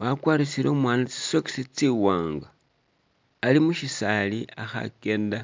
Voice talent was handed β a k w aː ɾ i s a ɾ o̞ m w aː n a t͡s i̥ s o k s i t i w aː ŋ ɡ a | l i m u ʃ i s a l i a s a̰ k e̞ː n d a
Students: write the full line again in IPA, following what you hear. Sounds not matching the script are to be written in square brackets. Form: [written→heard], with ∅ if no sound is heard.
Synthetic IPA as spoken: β a k w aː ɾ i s [a→i] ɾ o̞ m w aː n a t͡s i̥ s o k s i [t→t͡s] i w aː ŋ ɡ a | l i m u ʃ i s a l i a [s→x] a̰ k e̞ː n d a